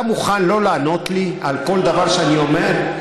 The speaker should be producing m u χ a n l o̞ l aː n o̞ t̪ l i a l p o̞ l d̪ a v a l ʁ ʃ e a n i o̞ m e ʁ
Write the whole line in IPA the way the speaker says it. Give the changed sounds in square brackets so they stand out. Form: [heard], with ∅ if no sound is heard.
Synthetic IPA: m u χ a n l o̞ l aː n o̞ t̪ l i a l [k] o̞ l d̪ a v a [∅] ʁ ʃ e a n i o̞ m e ʁ

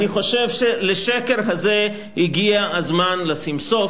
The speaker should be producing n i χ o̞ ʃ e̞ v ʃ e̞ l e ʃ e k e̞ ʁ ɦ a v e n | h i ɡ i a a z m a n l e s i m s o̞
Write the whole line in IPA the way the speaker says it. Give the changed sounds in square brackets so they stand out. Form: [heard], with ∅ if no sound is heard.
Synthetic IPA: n i χ o̞ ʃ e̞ v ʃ e̞ l e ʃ e k e̞ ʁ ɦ a [z] e [∅] | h i ɡ i a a z m a n l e s i m s o̞

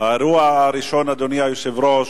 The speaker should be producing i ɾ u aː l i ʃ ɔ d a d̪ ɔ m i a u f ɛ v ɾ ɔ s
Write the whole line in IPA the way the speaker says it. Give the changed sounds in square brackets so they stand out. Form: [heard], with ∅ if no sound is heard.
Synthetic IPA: [a] ɾ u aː [ɾ] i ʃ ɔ [n] a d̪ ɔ [n] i a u [s] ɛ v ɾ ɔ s

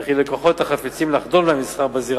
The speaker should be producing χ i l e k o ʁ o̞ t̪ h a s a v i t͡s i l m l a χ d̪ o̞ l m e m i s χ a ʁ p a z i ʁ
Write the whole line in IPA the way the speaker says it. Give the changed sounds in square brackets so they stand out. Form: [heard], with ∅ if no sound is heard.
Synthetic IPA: χ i l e k o [χ] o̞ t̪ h a [χ] a [f] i t͡s i [∅] m l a χ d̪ o̞ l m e m i s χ a ʁ [b] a z i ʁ

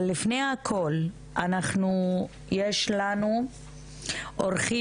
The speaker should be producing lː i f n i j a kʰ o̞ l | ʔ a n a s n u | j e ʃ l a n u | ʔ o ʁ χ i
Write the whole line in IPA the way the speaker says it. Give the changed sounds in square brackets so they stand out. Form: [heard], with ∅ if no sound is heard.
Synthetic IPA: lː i f n [e] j a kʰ o̞ l | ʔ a n a [χ] n u | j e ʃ l a n u | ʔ o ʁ χ i

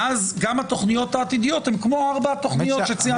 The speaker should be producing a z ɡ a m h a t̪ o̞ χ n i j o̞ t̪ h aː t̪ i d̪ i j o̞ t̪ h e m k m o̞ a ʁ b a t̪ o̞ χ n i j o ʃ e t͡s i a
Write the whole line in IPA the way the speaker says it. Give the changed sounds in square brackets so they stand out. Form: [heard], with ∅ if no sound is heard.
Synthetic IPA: a z ɡ a m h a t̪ o̞ χ n i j o̞ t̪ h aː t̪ i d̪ i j o̞ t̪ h e m k m o̞ a ʁ b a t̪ o̞ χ n i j o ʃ e t͡s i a

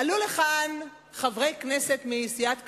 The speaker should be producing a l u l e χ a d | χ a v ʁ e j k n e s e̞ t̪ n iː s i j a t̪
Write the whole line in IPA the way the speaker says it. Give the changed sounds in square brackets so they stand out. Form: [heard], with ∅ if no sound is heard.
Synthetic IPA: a l u l e χ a [n] | χ a v ʁ e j k n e s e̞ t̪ [m] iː s i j a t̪

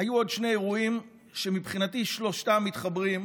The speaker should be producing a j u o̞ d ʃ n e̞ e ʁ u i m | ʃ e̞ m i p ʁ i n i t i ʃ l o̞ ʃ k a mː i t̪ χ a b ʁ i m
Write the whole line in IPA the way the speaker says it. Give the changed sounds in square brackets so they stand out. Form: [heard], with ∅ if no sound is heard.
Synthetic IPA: a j u o̞ d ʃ n e̞ e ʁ u i m | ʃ e̞ m i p [χ] i n [a] t i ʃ l o̞ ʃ [t] a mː i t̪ χ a b ʁ i m

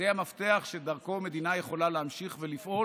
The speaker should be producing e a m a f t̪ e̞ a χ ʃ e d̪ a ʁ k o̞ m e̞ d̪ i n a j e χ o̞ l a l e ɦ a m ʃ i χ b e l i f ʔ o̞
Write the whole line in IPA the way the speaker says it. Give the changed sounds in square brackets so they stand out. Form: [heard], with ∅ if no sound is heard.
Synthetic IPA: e a m a f t̪ e̞ a χ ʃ e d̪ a ʁ k o̞ m e̞ d̪ i n a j e χ o̞ l a l e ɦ a m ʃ i χ [v] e l i f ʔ o̞

